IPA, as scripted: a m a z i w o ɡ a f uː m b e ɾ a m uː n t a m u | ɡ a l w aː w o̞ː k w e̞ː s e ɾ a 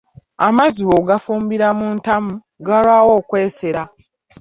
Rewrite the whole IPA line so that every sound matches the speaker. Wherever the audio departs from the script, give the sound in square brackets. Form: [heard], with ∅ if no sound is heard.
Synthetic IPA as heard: a m a z i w o ɡ a f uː m b [i] ɾ a m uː n t a m u | ɡ a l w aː w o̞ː k w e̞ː s e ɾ a